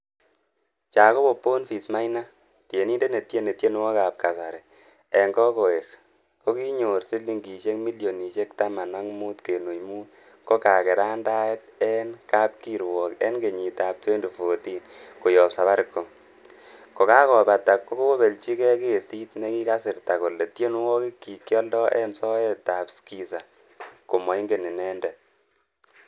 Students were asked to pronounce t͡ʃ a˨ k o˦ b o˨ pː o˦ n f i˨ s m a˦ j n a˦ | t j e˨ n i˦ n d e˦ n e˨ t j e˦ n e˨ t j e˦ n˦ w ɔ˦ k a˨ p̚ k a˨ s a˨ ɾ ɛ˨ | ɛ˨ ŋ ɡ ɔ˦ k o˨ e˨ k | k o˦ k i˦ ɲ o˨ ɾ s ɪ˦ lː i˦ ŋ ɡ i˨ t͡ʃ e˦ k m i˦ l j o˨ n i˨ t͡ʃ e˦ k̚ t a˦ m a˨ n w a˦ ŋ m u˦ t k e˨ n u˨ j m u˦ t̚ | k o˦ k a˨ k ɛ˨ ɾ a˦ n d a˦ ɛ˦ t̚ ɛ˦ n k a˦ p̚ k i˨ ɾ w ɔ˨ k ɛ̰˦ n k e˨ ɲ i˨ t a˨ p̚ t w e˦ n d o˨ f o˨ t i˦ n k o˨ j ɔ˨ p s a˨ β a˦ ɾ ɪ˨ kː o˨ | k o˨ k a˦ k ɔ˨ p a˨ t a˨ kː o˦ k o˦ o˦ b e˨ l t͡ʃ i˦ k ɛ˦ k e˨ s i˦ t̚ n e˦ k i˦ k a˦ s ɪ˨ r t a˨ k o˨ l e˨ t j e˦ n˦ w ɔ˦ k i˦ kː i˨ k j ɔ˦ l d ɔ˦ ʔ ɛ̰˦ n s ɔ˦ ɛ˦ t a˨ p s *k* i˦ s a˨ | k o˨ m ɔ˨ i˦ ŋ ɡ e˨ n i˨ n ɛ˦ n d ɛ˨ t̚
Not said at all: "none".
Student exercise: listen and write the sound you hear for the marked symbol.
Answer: k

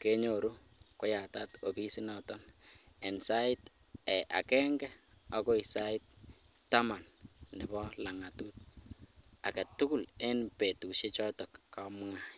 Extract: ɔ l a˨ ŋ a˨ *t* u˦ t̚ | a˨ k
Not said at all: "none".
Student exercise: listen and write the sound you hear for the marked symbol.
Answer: t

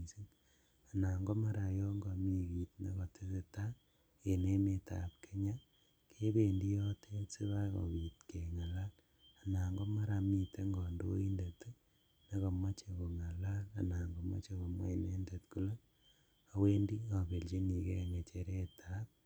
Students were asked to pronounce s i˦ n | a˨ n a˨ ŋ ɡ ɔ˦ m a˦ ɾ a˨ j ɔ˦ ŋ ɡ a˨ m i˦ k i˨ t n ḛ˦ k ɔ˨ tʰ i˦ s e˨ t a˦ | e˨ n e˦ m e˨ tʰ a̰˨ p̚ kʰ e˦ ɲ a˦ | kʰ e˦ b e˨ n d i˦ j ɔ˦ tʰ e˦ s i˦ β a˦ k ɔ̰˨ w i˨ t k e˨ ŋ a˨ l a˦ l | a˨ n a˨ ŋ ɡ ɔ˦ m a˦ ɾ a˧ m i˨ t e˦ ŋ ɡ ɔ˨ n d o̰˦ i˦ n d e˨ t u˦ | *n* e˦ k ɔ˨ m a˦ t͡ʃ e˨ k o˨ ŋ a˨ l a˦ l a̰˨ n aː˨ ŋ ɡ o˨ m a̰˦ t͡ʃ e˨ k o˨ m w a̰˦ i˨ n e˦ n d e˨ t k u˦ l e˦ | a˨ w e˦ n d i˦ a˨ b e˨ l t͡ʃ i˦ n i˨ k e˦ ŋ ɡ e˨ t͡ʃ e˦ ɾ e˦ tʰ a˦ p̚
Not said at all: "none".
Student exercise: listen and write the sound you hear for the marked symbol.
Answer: n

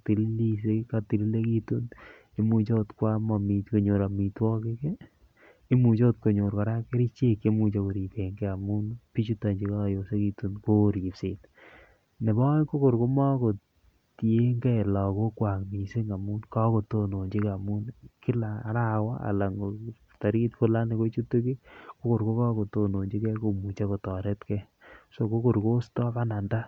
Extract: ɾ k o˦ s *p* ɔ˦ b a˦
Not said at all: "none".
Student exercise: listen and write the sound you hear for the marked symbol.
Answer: t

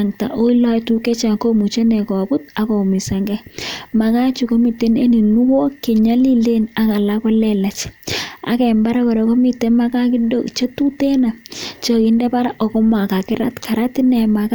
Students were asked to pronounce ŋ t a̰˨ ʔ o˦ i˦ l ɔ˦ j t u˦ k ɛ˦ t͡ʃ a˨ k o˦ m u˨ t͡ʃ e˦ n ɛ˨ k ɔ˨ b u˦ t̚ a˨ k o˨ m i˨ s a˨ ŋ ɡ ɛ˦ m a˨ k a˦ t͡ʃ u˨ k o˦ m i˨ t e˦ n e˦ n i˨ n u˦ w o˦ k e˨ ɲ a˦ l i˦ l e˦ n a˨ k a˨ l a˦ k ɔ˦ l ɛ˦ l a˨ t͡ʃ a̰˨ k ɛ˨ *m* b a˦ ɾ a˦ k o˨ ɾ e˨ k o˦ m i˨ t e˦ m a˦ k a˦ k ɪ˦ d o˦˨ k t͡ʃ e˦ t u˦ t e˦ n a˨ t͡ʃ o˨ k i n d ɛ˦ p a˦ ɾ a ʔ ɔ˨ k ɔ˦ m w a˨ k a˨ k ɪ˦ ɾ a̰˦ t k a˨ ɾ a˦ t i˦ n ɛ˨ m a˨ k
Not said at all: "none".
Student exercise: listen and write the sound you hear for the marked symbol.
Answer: m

